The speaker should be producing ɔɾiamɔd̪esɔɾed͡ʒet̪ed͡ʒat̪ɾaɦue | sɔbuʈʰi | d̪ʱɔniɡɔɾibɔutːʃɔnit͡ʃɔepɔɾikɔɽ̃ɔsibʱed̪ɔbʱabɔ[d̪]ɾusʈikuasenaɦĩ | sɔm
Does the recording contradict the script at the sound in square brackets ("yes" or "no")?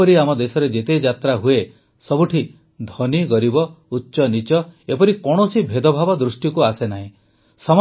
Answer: no